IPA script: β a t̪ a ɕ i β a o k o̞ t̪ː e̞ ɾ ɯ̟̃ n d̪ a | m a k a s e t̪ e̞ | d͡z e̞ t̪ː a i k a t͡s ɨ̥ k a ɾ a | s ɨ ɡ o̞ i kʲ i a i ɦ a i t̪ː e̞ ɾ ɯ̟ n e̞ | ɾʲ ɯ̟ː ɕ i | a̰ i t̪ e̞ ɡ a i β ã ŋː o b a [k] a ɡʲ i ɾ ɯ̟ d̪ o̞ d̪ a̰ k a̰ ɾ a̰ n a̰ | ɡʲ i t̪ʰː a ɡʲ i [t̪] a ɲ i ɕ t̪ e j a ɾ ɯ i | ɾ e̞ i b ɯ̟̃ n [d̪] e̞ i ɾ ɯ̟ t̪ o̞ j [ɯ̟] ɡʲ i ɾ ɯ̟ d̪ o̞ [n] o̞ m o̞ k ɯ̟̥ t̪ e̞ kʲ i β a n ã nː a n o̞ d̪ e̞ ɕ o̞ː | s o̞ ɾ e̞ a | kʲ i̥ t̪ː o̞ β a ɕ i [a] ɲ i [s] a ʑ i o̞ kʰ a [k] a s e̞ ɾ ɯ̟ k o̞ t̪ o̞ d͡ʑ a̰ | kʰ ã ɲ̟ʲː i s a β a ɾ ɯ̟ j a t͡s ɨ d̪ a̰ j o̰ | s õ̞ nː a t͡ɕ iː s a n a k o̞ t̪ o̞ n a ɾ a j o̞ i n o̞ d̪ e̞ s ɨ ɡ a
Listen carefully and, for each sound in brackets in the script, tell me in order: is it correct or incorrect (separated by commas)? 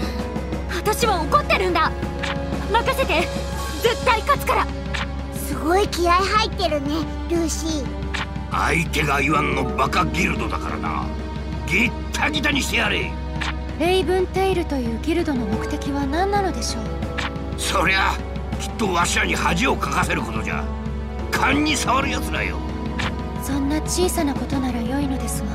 correct, correct, incorrect, incorrect, correct, correct, incorrect, correct